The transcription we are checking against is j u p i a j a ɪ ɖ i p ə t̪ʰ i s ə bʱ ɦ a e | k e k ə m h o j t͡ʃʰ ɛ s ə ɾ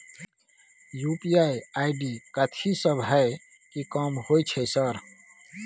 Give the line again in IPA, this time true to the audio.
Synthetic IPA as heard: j u p i a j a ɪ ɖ i k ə t̪ʰ i s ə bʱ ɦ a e | k i k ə m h o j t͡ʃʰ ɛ s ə ɾ

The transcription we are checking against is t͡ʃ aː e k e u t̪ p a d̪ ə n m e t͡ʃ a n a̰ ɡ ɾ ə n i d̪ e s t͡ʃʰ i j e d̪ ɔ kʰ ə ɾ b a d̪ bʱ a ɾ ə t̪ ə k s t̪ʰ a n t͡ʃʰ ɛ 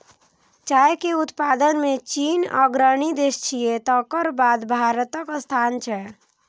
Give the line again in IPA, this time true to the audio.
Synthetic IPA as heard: t͡ʃ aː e k e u t̪ p a d̪ ə n m e t͡ʃ i n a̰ ɡ ɾ ə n i d̪ e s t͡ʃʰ i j e t̪ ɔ k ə ɾ b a d̪ bʱ a ɾ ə t̪ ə k s t̪ʰ a n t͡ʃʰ ɛ

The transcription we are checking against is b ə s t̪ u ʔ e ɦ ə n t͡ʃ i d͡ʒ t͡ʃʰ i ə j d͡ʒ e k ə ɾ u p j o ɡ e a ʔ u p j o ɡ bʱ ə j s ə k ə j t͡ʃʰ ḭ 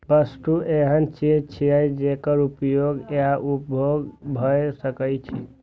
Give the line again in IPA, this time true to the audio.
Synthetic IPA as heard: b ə s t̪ u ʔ e ɦ ə n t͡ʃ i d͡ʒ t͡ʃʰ i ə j d͡ʒ e k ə ɾ u p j o ɡ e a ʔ u p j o ɡ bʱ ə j s ə k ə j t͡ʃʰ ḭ

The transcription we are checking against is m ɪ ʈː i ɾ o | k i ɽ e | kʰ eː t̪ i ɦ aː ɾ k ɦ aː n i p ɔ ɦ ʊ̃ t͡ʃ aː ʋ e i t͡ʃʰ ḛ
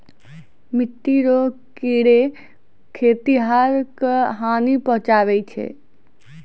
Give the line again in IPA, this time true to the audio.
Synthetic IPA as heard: m ɪ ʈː i ɾ o | k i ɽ e | kʰ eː t̪ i ɦ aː ɾ k ɦ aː n i p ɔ ɦ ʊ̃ t͡ʃ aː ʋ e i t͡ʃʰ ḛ

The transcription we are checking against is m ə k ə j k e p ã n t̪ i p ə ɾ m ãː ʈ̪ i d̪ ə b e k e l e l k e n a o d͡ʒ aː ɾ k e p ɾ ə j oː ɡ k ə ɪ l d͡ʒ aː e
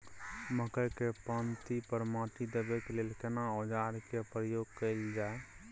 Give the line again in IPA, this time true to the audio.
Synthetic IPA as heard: m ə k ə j k e p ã n t̪ i p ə ɾ m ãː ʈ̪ i d̪ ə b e k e l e l k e n a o d͡ʒ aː ɾ k e p ɾ ə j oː ɡ k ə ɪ l d͡ʒ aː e

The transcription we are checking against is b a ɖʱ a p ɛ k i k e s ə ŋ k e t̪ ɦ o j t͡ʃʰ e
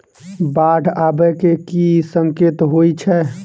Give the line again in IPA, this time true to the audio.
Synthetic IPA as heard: b a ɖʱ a b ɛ k e k i s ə ŋ k e t̪ ɦ o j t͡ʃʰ ɛ

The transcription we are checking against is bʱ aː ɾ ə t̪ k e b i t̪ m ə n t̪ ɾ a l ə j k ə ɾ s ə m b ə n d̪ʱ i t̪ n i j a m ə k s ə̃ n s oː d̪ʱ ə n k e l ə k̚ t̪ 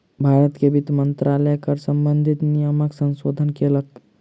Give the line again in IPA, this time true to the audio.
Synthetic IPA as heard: bʱ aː ɾ ə t̪ k e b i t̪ m ə n t̪ ɾ a l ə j k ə ɾ s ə m b ə n d̪ʱ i t̪ n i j ə m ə k s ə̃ n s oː d̪ʱ ə n k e l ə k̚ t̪

